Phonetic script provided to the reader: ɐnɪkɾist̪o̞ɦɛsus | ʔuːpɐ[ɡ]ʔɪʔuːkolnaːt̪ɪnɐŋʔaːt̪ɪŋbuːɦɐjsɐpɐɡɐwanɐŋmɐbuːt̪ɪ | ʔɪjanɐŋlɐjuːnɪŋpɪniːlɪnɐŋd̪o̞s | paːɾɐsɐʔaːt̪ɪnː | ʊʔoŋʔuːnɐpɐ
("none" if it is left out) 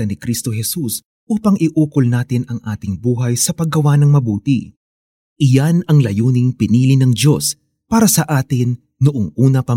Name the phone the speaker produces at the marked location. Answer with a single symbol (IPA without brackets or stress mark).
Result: ŋ